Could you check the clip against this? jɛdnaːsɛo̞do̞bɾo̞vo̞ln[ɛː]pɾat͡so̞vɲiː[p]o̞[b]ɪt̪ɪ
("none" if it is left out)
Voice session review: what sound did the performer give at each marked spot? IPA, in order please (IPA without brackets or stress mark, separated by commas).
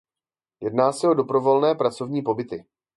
ɛː, p, b